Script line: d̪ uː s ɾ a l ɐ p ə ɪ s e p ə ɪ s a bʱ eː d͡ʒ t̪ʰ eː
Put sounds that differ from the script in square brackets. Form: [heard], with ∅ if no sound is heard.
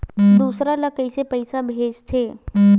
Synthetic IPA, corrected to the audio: d̪ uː s ɾ a l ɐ [k] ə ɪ s e p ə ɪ s a bʱ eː d͡ʒ t̪ʰ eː